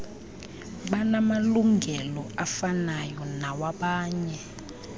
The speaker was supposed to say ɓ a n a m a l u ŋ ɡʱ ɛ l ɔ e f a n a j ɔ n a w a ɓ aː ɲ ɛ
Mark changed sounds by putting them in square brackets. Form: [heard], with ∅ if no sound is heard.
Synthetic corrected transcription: ɓ a n a m a l u ŋ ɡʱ ɛ l ɔ [a] f a n a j ɔ n a w a ɓ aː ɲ ɛ